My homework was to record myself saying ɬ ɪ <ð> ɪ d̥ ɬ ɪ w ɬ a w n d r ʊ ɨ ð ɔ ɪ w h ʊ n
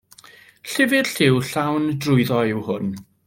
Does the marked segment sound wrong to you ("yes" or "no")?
yes